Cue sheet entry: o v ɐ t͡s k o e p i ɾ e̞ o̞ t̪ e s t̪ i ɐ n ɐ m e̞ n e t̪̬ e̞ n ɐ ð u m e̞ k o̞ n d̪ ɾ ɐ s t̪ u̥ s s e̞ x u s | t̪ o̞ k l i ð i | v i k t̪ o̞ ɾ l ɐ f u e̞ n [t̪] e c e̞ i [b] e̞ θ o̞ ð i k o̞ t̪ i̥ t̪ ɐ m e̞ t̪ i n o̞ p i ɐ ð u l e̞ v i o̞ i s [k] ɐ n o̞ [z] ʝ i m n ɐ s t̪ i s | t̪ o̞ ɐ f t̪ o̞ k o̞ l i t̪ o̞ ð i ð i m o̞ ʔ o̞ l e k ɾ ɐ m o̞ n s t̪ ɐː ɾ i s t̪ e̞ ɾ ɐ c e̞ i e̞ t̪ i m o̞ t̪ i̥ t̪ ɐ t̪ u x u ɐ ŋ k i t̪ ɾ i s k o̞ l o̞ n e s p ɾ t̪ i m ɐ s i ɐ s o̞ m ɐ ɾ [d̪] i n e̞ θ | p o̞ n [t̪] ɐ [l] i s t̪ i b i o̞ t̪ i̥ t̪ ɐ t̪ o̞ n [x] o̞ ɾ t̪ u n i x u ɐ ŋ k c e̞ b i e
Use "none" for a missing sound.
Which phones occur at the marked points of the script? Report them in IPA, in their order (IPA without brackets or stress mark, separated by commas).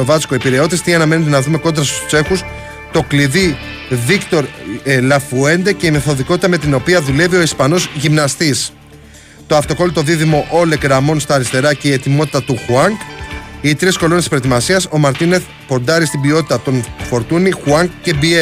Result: d̪, m, p, z, t̪, d̪, ɾ, f